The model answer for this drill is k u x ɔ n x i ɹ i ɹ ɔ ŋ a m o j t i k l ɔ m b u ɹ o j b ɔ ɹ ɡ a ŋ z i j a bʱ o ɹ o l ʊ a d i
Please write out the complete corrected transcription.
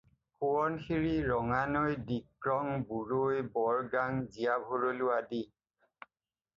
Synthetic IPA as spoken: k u ɔ n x i ɹ i ɹ ɔ ŋ a n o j d i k ɹ ɔ ŋ b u ɹ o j b ɔ ɹ ɡ a ŋ z i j a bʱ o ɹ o l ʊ a d i

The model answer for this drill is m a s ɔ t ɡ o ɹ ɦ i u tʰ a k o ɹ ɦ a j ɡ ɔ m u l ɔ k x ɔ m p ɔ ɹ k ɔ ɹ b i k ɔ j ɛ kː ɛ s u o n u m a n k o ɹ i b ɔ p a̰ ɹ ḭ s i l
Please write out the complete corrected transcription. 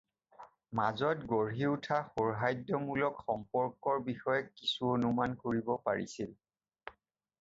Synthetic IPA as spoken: m a z ɔ t ɡ o ɹ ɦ i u tʰ a x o ɹ ɦ a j d ɔ m u l ɔ k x ɔ m p ɔ ɹ k ɔ ɹ b i x ɔ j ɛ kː i s u o n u m a n k o ɹ i b ɔ p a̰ ɹ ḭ s i l

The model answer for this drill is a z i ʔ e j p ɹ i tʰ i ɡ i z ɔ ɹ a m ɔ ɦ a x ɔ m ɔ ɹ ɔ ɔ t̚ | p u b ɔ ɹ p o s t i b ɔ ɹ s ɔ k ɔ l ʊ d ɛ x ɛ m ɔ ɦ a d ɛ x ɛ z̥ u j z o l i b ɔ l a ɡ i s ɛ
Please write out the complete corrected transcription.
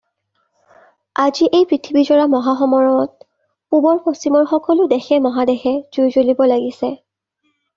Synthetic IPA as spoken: a z i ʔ e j p ɹ i tʰ i b i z ɔ ɹ a m ɔ ɦ a x ɔ m ɔ ɹ ɔ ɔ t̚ | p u b ɔ ɹ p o s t i m ɔ ɹ x ɔ k ɔ l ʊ d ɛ x ɛ m ɔ ɦ a d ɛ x ɛ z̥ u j z o l i b ɔ l a ɡ i s ɛ

